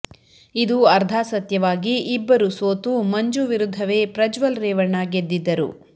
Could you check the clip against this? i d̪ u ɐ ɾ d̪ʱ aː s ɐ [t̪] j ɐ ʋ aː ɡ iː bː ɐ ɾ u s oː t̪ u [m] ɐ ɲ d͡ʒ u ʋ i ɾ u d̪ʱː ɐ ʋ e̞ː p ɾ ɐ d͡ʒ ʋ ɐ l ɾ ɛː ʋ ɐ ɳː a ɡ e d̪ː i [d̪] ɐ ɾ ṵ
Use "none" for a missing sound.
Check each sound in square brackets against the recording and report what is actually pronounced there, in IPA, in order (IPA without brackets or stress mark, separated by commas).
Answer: t̪, m, d̪ː